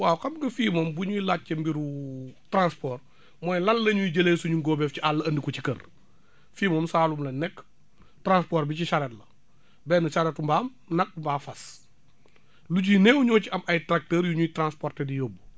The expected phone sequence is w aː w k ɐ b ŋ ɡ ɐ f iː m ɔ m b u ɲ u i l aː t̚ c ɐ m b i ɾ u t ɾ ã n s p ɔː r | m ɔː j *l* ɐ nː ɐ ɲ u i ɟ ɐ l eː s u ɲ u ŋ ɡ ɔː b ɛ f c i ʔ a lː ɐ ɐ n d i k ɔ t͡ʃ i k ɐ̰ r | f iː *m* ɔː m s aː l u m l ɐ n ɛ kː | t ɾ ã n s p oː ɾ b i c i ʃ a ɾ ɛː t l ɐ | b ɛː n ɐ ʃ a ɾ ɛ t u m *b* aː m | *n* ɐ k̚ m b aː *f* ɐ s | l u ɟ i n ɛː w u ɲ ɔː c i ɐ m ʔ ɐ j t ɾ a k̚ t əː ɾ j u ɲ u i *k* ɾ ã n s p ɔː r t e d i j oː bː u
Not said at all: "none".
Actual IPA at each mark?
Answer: l, m, b, n, f, t

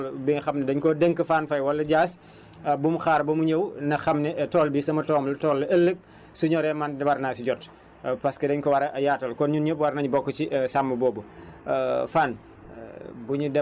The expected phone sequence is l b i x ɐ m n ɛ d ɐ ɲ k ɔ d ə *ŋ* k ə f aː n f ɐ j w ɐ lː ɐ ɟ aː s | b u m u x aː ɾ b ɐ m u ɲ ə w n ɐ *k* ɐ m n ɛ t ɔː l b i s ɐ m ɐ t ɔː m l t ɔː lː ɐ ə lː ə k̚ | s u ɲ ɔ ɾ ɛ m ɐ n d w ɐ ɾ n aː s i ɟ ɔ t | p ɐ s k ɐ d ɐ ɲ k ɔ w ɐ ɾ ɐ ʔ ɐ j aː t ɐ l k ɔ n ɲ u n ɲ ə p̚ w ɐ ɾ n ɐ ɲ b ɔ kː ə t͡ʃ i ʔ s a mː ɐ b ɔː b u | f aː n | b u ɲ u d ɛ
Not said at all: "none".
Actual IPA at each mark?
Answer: ŋ, x

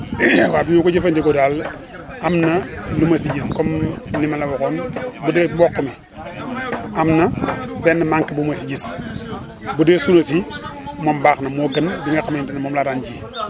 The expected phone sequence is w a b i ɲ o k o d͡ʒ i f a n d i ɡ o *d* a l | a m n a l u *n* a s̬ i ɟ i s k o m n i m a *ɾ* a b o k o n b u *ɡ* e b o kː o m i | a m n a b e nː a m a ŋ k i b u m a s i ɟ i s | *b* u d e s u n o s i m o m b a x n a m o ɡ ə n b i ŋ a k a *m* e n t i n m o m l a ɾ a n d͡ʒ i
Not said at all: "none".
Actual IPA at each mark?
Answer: d, m, l, d, b, m

